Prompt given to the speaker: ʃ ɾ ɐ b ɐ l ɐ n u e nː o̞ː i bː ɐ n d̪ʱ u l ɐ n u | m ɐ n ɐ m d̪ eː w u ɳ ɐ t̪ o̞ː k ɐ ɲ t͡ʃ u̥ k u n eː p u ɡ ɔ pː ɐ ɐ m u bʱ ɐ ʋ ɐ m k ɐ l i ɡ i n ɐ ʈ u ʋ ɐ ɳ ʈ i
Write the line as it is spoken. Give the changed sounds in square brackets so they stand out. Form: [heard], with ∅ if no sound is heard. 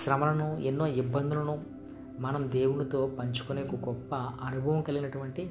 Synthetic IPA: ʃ ɾ ɐ [m] ɐ l ɐ n u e nː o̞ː i bː ɐ n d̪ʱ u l ɐ n u | m ɐ n ɐ m d̪ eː w u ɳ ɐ t̪ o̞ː [p] ɐ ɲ t͡ʃ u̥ k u n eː [k] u ɡ ɔ pː ɐ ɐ [n] u bʱ ɐ ʋ ɐ m k ɐ l i ɡ i n ɐ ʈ u ʋ ɐ ɳ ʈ i